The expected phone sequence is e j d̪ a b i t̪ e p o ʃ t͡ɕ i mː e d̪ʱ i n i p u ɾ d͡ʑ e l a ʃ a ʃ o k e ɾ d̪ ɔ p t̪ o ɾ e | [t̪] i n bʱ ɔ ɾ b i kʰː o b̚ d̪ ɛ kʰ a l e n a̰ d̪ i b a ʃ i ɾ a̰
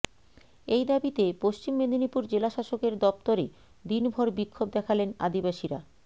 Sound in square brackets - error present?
yes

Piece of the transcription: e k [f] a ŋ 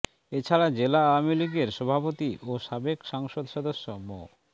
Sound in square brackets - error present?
yes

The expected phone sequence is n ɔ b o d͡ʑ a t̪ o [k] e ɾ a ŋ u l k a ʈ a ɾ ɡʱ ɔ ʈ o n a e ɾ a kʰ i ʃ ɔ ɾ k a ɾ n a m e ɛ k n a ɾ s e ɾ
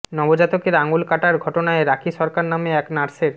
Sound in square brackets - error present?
no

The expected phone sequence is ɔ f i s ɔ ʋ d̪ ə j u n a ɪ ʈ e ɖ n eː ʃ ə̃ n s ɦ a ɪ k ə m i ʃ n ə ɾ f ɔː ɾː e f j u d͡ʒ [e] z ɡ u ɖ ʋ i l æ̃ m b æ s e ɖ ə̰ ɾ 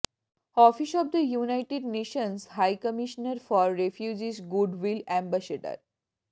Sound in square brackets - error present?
yes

